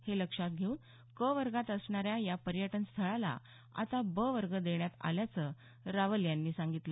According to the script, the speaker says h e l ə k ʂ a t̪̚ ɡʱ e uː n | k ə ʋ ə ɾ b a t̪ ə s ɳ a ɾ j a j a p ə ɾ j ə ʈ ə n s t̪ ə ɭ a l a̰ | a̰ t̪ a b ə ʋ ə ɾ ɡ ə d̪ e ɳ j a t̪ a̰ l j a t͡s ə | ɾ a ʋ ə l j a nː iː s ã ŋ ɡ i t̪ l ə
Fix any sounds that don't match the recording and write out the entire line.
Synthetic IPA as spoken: h e l ə k ʂ a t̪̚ ɡʱ e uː n | k ə ʋ ə ɾ ɡ a t̪ ə s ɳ a ɾ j a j a p ə ɾ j ə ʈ ə n s t̪ʰ ə ɭ a l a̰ | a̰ t̪ a b ə ʋ ə ɾ ɡ ə d̪ e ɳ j a t̪ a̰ l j a t͡s ə | ɾ a ʋ ə l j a nː iː s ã ŋ ɡ i t̪ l ə